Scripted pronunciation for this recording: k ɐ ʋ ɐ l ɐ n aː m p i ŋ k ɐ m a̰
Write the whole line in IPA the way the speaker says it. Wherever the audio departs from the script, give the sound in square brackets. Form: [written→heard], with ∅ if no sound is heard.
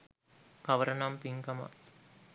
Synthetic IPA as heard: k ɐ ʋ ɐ [l→ɾ] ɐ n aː m p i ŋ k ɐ m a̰